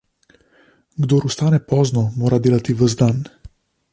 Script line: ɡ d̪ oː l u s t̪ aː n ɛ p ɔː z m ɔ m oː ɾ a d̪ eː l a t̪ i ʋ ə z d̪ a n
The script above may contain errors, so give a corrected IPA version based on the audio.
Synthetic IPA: ɡ d̪ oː ɾ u s t̪ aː n ɛ p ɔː z n ɔ m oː ɾ a d̪ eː l a t̪ i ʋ ə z d̪ a n